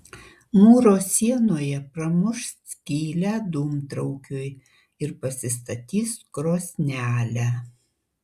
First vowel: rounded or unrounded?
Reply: rounded